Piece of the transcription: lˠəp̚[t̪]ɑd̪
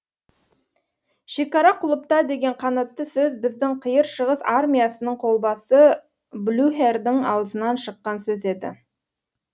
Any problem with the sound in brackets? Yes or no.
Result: no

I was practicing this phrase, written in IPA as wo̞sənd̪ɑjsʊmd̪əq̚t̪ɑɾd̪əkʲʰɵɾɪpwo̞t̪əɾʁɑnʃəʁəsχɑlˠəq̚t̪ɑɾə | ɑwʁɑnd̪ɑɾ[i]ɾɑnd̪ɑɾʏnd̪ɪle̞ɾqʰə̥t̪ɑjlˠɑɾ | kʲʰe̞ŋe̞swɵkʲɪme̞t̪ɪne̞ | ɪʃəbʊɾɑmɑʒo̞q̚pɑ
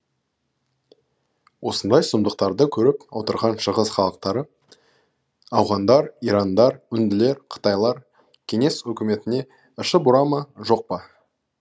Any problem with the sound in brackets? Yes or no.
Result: no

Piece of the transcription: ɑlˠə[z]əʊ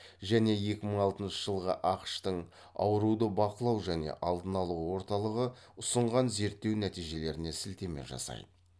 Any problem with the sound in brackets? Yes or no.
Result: yes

